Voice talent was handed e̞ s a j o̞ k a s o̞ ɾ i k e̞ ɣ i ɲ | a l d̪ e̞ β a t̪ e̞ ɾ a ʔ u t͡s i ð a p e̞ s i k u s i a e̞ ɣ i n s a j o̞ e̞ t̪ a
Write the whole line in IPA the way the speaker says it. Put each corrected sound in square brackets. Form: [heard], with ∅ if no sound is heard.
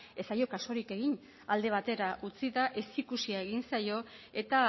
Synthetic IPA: e̞ s a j o̞ k a s o̞ ɾ i k e̞ ɣ i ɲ | a l d̪ e̞ β a t̪ e̞ ɾ a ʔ u t͡s i ð a [ʔ] e̞ s i k u s i a e̞ ɣ i n s a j o̞ e̞ t̪ a